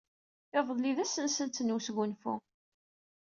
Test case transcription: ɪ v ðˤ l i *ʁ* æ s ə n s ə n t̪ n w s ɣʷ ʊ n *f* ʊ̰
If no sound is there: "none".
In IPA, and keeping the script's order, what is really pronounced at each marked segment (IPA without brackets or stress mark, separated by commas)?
ð, f